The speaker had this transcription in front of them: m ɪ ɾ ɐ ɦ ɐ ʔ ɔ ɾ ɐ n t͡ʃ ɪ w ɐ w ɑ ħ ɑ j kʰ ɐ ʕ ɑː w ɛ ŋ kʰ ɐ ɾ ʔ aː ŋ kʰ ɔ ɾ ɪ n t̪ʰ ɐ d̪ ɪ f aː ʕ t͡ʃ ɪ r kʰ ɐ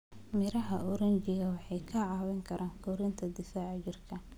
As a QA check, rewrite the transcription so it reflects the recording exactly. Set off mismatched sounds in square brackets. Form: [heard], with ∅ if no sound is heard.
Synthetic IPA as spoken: m ɪ ɾ ɐ ɦ ɐ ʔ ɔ ɾ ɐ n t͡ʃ ɪ [ɣ] ɐ w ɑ ħ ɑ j kʰ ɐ ʕ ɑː w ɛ ŋ kʰ ɐ ɾ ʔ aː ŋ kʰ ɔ ɾ ɪ n t̪ʰ ɐ d̪ ɪ f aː ʕ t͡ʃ ɪ r kʰ ɐ